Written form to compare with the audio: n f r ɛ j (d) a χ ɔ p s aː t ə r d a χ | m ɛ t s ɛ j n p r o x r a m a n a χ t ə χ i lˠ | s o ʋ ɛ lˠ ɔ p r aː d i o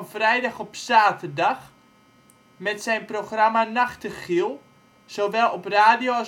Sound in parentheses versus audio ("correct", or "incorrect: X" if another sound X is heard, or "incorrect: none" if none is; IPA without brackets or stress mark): correct